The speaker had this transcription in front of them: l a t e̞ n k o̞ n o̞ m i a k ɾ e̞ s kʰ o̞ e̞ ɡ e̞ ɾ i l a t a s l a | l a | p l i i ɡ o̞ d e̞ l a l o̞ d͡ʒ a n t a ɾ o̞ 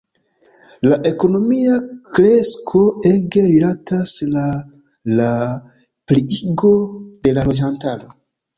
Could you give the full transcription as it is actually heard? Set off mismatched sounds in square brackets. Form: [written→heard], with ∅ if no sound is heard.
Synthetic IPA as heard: l a [t→ʔ] e̞ [n→∅] k o̞ n o̞ m i a k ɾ e̞ s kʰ o̞ e̞ ɡ e̞ ɾ i l a t a s l a | l a | p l i i ɡ o̞ d e̞ l a l o̞ d͡ʒ a n t a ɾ o̞